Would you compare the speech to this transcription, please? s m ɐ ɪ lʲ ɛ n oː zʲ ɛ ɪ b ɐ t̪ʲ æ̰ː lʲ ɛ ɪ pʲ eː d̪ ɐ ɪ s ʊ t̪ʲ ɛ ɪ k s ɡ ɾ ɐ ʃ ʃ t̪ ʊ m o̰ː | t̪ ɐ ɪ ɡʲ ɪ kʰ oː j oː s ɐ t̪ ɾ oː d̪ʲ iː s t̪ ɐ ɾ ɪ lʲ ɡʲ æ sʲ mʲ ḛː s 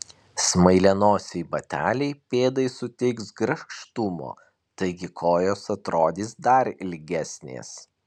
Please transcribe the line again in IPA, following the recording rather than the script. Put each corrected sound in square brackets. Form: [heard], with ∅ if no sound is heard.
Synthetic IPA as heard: s m ɐ ɪ lʲ ɛ n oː [sʲ] ɛ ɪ b ɐ t̪ʲ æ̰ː lʲ ɛ ɪ pʲ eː d̪ ɐ ɪ s ʊ t̪ʲ ɛ ɪ k s ɡ ɾ ɐ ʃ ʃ t̪ ʊ m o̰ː | t̪ ɐ ɪ ɡʲ ɪ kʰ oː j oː s ɐ t̪ ɾ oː d̪ʲ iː s [d̪] ɐ ɾ ɪ lʲ ɡʲ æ sʲ [nʲ] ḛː s